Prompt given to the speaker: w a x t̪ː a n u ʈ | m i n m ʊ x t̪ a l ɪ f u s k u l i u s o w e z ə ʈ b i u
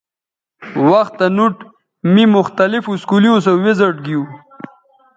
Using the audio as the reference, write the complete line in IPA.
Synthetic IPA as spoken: w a x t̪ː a n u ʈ | m i m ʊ x t̪ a l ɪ f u s k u l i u s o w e z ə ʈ ɡ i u